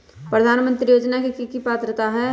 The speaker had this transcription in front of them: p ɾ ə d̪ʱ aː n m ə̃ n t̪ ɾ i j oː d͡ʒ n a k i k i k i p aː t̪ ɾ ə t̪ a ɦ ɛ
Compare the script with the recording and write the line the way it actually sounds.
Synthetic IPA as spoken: p ɾ ə d̪ʱ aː n m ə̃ n t̪ ɾ i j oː d͡ʒ n a k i k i k i p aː t̪ ɾ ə t̪ a ɦ ɛ